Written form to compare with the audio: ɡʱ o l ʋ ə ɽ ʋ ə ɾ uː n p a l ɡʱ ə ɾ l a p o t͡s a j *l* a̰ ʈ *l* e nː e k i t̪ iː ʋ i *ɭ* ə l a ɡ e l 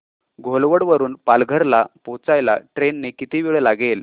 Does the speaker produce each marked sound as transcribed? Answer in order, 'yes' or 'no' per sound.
yes, no, yes

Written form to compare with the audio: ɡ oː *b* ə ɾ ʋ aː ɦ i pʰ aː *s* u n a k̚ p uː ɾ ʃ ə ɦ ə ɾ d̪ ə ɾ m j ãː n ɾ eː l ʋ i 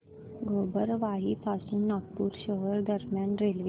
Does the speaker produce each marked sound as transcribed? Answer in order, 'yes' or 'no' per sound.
yes, yes

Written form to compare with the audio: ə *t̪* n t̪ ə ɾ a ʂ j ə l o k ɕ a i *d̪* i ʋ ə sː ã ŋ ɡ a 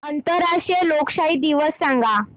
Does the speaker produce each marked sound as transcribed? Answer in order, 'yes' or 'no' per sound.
no, yes

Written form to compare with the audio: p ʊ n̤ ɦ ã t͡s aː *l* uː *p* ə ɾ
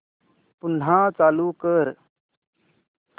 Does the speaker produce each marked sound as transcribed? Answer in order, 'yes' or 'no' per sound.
yes, no

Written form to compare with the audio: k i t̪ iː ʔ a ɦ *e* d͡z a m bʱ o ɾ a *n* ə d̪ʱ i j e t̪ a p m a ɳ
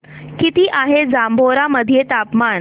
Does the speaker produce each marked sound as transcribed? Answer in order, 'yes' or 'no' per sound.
yes, no

